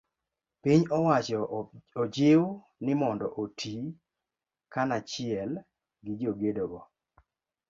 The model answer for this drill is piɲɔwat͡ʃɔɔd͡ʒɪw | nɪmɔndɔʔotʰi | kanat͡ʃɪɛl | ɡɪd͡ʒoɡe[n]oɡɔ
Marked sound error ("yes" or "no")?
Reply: yes